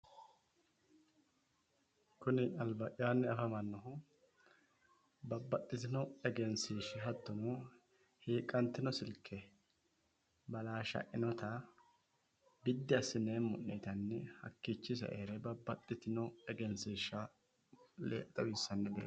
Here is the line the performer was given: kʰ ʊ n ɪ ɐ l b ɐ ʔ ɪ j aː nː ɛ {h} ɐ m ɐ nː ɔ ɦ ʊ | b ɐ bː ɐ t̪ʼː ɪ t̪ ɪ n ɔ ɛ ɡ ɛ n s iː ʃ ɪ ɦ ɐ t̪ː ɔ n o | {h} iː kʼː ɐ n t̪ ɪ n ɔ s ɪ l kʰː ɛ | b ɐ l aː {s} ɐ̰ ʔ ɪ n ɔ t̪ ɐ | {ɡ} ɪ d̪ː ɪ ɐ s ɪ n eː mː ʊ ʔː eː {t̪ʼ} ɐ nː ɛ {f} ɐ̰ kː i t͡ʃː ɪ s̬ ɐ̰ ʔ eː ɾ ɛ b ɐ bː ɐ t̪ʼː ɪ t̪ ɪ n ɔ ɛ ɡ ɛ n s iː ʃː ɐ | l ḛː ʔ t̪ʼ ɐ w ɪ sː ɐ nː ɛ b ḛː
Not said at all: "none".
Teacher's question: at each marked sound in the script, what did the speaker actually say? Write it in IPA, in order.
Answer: f, h, ʃ, b, t̪, h

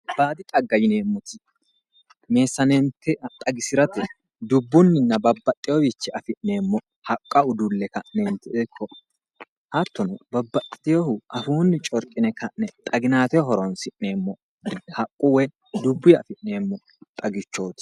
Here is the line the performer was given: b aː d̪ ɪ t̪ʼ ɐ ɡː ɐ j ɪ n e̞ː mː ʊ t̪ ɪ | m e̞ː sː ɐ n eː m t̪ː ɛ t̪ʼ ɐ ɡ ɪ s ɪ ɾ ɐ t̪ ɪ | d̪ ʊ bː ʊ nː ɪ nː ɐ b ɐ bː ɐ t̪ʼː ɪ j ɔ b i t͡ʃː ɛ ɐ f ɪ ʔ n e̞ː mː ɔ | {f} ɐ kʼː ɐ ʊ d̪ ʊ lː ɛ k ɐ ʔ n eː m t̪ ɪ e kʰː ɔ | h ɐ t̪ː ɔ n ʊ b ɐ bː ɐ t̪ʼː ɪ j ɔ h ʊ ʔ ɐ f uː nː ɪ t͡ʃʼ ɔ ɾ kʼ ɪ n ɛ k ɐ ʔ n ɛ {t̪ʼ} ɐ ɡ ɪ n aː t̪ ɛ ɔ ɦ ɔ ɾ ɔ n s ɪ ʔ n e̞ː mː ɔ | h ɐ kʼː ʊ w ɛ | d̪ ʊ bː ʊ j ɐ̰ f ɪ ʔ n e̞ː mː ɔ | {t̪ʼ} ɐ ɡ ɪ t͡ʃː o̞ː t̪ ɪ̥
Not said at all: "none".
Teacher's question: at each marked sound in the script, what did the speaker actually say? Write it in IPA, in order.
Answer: h, t̪ʼ, t̪ʼ

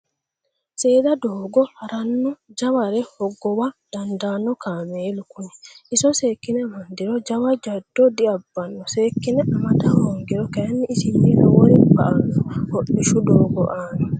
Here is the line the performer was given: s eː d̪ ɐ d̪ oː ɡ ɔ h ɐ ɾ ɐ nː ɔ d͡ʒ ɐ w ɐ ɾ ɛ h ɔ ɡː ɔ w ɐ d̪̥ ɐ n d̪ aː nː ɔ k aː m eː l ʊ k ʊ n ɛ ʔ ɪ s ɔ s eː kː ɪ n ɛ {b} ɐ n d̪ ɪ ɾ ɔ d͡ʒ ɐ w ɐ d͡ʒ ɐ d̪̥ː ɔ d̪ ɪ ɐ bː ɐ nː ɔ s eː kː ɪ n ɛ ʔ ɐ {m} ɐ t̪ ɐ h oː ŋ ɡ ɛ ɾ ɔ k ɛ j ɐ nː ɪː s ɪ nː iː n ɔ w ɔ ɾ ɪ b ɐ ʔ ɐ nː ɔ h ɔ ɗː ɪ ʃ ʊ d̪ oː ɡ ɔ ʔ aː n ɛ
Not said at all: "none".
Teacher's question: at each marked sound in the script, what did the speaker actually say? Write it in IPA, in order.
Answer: m, m

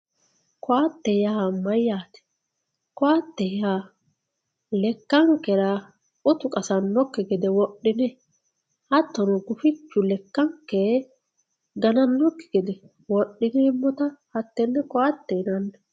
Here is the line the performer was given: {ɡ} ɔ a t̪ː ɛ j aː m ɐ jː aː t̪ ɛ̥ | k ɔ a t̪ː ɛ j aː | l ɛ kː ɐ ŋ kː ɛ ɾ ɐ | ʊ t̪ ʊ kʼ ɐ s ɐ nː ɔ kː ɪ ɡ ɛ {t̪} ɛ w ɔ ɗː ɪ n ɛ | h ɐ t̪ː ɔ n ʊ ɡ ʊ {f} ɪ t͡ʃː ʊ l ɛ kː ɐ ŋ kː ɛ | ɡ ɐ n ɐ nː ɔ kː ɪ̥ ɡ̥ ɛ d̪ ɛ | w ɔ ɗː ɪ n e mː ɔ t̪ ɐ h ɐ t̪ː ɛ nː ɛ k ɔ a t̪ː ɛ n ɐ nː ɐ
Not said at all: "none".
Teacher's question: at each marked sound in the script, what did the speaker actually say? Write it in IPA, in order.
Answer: k, d̪, f

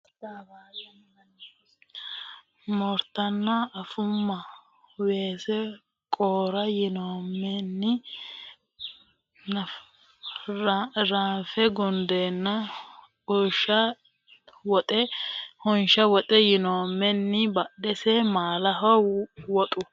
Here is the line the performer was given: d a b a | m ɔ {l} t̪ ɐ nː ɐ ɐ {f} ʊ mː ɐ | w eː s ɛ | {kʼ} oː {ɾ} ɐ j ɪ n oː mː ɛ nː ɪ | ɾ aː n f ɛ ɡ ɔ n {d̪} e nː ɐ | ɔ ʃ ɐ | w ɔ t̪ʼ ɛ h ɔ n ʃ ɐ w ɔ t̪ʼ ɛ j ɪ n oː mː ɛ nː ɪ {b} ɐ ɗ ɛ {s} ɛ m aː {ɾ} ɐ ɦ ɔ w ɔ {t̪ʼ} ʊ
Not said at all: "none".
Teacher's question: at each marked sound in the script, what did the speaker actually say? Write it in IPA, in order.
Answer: ɾ, f, kʼ, ɾ, d̪, b, s, l, t̪ʼ

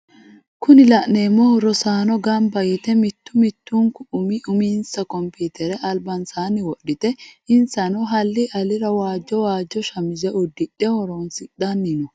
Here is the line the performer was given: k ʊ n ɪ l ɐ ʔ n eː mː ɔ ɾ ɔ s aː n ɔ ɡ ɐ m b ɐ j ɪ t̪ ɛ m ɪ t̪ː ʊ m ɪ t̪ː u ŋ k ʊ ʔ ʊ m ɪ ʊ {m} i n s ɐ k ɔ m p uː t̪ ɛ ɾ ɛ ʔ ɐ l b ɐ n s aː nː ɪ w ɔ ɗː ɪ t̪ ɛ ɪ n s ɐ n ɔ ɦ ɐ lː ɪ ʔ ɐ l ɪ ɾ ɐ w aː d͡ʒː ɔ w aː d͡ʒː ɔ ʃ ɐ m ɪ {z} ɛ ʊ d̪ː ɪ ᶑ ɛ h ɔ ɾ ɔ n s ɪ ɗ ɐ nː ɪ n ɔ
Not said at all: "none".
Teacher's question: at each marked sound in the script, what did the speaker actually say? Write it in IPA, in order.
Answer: m, z

